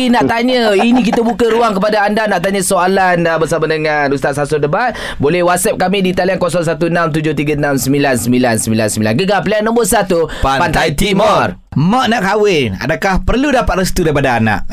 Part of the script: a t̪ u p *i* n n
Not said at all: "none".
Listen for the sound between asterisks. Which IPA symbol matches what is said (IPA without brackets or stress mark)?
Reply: a